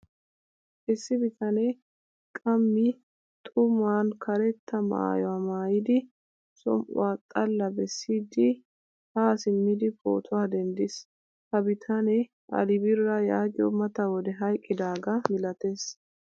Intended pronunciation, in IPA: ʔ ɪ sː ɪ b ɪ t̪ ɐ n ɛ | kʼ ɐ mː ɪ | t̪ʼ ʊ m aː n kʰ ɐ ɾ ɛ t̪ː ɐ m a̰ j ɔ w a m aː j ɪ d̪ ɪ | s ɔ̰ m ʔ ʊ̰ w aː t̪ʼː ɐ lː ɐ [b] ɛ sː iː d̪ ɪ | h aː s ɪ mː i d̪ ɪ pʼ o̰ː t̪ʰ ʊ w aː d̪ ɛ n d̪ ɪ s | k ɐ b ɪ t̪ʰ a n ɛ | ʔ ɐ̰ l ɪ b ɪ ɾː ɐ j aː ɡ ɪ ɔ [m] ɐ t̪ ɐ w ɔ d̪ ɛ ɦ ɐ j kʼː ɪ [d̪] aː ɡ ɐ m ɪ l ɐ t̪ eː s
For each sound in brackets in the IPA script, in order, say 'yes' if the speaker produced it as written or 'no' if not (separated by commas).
yes, yes, yes